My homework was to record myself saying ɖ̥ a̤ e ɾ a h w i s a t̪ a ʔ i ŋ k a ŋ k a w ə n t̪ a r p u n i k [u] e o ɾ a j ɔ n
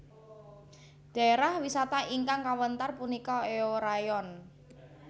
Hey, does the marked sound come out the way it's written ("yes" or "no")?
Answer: no